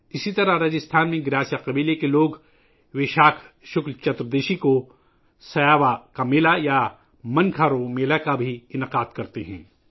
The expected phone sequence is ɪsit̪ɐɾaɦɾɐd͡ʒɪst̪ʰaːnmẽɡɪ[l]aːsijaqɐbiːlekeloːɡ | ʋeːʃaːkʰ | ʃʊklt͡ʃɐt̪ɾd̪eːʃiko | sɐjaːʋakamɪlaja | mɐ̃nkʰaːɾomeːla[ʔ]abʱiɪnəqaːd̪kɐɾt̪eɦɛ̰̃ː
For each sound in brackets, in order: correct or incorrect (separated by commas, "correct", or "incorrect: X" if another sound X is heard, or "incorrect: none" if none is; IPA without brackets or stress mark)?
incorrect: ɾ, incorrect: k